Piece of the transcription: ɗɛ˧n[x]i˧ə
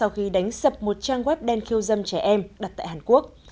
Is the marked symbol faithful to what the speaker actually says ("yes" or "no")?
yes